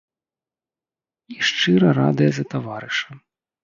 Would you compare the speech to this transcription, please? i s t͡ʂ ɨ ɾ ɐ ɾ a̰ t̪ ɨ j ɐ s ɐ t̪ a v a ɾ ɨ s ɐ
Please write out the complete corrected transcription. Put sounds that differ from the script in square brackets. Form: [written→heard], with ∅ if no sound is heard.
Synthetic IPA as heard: i [s→ʂ] t͡ʂ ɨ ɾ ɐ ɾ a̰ [t̪→d̪] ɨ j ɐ [s→z] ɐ t̪ a v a ɾ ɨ [s→ʂ] ɐ

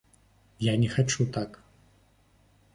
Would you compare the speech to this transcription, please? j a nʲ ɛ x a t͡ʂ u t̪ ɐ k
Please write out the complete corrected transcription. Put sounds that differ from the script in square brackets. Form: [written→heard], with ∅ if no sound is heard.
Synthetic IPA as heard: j a nʲ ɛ x a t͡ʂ u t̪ [ɐ→a] k

